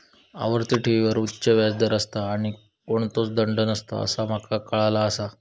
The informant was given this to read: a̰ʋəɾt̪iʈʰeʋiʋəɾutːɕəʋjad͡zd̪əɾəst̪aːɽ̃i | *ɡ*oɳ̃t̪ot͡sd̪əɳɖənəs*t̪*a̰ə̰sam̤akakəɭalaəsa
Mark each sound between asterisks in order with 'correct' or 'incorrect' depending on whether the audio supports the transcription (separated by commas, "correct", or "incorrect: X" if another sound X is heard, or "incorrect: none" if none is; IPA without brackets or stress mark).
incorrect: k, correct